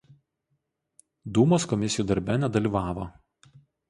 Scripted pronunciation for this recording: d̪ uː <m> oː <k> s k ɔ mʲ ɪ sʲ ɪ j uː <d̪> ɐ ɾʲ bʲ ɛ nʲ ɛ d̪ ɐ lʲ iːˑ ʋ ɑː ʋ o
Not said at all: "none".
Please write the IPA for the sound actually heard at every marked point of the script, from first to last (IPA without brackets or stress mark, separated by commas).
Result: m, none, d̪